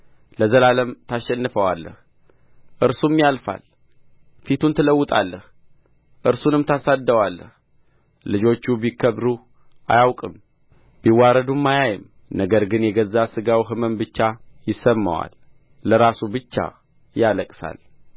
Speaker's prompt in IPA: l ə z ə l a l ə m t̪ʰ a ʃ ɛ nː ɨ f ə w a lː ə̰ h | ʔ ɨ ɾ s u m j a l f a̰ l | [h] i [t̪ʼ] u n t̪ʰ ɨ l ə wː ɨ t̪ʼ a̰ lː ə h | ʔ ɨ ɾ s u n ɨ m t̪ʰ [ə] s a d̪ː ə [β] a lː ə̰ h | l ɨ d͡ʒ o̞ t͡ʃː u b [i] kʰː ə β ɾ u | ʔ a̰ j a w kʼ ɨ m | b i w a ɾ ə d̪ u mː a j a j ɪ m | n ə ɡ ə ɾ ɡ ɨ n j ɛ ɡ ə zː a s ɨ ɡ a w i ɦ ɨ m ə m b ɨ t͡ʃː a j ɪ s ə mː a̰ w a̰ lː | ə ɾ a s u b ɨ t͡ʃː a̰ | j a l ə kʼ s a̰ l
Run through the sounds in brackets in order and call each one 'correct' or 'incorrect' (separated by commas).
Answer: incorrect, incorrect, incorrect, incorrect, correct